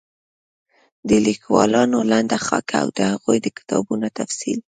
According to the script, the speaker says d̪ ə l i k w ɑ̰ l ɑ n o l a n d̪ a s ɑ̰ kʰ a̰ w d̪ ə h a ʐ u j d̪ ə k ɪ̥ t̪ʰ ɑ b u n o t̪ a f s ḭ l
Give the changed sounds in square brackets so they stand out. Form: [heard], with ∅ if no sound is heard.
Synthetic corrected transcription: d̪ ə l i k w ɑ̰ l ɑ n o l a n d̪ a [x] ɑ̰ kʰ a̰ w d̪ ə h a [ɣ] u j d̪ ə k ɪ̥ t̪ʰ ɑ b u n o t̪ a f s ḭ l